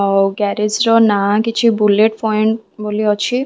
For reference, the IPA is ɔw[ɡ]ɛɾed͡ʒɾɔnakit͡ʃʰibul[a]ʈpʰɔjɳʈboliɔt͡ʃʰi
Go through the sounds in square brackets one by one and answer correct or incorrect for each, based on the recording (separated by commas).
correct, incorrect